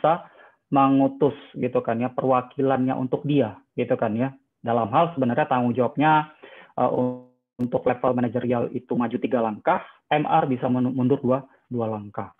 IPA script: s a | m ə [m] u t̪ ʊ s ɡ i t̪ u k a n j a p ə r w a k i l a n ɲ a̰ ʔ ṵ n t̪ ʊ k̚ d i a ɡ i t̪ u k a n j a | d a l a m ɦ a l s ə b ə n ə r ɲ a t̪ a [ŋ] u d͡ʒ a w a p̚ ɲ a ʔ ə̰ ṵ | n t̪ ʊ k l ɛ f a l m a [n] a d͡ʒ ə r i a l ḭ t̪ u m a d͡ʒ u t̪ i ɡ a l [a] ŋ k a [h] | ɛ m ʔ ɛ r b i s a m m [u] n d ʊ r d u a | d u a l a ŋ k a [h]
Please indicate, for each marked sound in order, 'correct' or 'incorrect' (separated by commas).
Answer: incorrect, correct, correct, correct, correct, correct, correct